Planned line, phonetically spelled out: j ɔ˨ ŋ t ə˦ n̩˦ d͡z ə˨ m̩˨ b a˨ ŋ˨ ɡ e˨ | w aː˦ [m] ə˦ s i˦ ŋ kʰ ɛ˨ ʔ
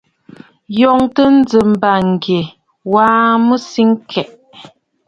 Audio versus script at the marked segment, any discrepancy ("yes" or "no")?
no